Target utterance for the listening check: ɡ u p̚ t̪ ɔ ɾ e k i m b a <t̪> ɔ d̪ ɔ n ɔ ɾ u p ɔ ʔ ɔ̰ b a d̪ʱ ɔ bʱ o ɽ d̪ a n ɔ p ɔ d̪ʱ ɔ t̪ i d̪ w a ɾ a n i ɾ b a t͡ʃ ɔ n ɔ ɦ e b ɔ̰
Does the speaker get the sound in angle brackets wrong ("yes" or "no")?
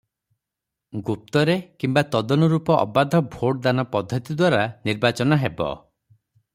no